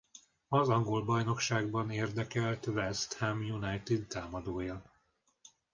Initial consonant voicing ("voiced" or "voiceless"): voiced